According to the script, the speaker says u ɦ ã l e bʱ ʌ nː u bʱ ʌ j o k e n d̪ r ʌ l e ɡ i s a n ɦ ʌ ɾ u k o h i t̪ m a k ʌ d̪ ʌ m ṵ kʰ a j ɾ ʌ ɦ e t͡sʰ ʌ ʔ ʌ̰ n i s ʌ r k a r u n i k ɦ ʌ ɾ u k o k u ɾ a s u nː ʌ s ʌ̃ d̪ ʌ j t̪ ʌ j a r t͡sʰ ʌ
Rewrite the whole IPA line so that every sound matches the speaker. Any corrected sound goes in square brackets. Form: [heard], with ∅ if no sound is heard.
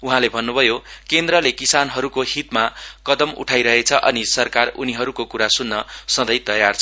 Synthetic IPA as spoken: u ɦ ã l e bʱ ʌ nː u bʱ ʌ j o k e n d̪ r ʌ l e [k] i s a n ɦ ʌ ɾ u k o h i t̪ m a k ʌ d̪ ʌ m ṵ [ʈʰ] a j ɾ ʌ ɦ e t͡sʰ ʌ ʔ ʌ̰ n i s ʌ r k a r u n i [∅] ɦ ʌ ɾ u k o k u ɾ a s u nː ʌ s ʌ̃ d̪ ʌ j t̪ ʌ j a r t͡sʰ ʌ